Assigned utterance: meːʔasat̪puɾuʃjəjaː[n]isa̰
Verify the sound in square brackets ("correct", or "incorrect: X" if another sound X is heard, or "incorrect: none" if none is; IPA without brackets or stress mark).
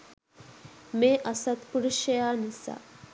correct